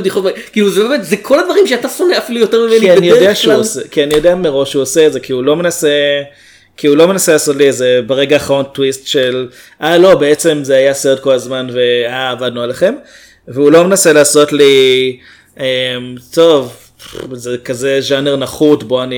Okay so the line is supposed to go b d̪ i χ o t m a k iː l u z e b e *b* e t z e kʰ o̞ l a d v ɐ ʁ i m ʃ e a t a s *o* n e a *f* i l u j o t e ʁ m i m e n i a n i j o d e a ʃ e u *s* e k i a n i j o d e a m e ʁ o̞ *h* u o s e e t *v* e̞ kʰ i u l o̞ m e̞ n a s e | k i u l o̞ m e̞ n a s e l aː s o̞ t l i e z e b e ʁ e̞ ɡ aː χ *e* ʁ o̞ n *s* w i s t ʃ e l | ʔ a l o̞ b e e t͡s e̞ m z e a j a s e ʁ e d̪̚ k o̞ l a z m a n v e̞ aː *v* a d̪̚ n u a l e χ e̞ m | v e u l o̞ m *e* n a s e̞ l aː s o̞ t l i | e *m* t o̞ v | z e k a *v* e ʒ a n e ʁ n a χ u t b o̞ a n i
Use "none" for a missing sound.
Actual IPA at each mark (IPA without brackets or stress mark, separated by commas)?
m, o, f, s, ʃ, z, a, t, v, e, m, z